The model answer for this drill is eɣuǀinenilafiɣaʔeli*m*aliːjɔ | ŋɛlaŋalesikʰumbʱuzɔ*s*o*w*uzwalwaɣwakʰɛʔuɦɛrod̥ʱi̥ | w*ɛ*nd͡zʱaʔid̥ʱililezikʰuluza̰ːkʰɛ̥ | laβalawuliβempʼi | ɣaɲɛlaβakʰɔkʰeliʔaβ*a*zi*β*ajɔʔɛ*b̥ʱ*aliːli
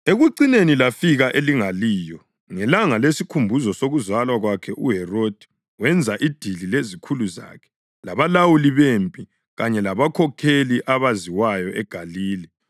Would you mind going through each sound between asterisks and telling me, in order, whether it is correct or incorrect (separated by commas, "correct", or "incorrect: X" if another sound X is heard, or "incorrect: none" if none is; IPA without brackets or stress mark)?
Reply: incorrect: ŋ, correct, incorrect: ɣ, correct, correct, incorrect: w, incorrect: ɡ̥ʱ